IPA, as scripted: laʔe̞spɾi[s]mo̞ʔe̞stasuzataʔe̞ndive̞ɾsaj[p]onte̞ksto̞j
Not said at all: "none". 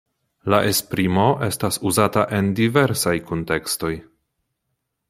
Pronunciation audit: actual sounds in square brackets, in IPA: none, k

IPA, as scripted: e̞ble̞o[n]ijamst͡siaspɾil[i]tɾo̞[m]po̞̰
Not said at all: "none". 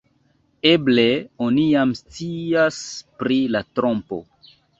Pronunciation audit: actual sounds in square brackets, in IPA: n, a, m

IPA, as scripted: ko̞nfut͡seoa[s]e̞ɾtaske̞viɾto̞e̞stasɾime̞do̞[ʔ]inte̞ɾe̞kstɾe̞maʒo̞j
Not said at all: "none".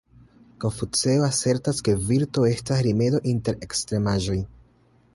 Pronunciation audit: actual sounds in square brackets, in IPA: s, ʔ

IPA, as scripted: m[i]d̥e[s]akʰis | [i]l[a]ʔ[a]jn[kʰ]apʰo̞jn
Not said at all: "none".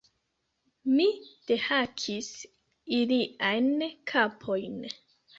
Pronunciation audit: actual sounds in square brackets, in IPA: i, h, i, i, a, kʰ

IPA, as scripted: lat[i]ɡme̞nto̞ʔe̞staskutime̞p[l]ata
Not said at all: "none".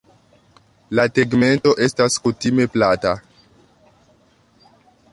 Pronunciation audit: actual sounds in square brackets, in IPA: e, l

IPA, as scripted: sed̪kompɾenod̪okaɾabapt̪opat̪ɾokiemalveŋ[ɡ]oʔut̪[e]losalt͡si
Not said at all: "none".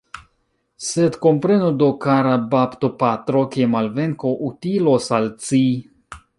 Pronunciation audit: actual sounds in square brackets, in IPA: k, i

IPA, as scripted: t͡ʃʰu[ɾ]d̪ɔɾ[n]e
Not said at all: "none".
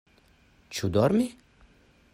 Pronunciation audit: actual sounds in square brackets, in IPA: none, m

